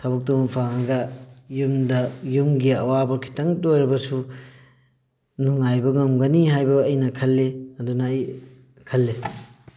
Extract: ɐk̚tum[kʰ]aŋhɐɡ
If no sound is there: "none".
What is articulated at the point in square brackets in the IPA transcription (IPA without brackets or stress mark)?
pʰ